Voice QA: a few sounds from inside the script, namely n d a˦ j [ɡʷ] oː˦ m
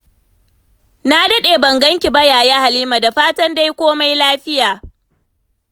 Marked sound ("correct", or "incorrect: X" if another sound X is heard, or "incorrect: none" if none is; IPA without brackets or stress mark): incorrect: kʷ